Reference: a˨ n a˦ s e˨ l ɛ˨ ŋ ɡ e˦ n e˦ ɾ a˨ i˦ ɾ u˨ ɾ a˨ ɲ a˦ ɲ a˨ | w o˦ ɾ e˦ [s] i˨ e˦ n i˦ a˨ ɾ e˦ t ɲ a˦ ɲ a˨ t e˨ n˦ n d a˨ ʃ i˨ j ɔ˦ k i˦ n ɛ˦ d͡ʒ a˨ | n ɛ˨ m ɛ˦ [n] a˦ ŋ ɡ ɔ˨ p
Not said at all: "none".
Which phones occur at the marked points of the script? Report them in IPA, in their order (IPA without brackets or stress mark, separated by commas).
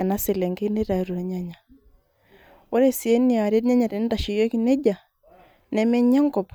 s, ɲ